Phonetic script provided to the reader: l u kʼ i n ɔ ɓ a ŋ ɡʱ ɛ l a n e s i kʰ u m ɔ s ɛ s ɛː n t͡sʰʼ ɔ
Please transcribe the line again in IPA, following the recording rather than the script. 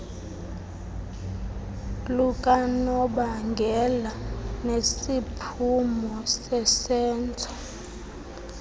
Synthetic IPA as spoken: l u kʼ a n ɔ ɓ a ŋ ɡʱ ɛ l a n e s i pʰ u m ɔ s ɛ s ɛː n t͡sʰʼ ɔ